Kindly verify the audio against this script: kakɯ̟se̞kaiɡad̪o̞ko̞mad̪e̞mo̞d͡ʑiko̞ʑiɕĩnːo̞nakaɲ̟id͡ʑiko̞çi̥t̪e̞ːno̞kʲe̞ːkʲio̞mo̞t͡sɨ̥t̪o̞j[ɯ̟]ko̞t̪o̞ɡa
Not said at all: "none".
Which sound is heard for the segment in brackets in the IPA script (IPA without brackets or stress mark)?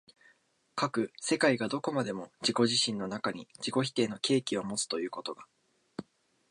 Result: ɯ̟ː